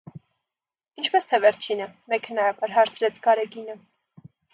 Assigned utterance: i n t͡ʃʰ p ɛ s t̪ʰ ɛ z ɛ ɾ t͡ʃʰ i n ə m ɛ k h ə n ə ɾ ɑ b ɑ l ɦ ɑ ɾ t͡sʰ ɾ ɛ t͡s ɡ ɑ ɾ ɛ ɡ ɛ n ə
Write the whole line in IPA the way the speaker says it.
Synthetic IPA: i n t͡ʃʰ p ɛ s t̪ʰ ɛ v ɛ ɾ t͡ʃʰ i n ə m ɛ k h ə n ɑ ɾ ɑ b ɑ ɾ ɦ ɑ ɾ t͡sʰ ɾ ɛ t͡sʰ ɡ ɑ ɾ ɛ ɡ i n ə